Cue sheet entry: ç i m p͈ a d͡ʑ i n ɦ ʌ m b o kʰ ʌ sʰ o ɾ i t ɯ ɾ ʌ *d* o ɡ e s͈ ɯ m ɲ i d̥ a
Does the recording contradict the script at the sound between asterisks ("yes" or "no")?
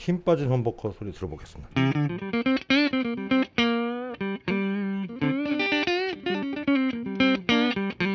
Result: yes